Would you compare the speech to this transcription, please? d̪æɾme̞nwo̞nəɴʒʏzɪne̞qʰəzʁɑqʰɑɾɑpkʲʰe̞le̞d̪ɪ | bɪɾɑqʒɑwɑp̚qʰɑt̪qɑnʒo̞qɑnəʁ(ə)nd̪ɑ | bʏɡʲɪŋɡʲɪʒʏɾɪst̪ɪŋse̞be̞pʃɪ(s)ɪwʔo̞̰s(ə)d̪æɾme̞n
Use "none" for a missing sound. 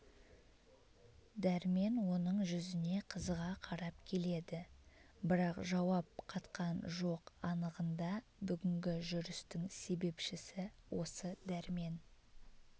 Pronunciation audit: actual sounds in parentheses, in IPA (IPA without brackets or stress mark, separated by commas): ə, s, ə